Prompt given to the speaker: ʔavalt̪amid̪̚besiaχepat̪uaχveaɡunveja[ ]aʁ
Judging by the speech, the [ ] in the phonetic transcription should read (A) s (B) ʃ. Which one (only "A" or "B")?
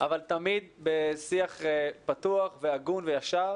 B